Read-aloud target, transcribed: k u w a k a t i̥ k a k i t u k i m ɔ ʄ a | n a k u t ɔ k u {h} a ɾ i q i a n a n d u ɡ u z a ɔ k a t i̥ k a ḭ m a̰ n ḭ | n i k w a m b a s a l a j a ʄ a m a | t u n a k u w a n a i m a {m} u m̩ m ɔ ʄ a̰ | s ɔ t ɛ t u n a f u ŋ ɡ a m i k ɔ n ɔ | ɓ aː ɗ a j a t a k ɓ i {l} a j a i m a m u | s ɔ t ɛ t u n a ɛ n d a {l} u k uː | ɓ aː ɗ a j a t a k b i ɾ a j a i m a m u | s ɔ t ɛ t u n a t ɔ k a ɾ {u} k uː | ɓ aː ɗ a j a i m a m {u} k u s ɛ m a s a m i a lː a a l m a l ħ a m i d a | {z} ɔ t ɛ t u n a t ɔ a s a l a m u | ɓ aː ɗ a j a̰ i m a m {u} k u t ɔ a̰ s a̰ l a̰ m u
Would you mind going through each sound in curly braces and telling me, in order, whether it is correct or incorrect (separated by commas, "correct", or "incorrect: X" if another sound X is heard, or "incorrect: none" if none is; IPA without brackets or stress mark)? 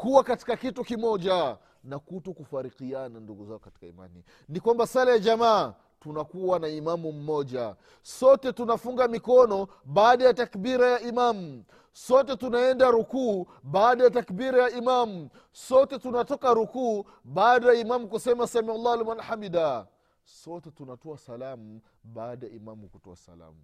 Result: incorrect: f, correct, incorrect: ɾ, incorrect: ɾ, correct, correct, incorrect: s, correct